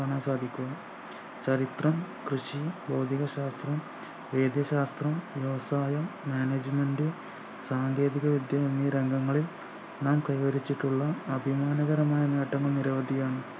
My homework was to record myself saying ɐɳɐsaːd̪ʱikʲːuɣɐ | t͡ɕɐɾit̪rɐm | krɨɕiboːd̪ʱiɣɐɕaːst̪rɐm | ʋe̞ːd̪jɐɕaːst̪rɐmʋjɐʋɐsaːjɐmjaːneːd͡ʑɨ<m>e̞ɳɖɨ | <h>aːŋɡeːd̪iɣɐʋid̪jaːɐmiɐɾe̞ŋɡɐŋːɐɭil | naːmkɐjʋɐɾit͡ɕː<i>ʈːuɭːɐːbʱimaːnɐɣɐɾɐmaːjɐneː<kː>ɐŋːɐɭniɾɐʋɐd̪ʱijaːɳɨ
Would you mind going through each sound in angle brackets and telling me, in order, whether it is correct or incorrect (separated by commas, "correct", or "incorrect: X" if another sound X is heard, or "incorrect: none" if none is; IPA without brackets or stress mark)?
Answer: correct, incorrect: s, correct, incorrect: ʈː